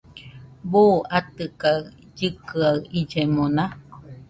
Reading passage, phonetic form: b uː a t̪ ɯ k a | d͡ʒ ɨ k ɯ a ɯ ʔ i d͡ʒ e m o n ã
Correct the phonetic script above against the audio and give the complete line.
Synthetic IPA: b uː a t̪ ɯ k a | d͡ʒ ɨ k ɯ a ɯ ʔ i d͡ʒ e m o n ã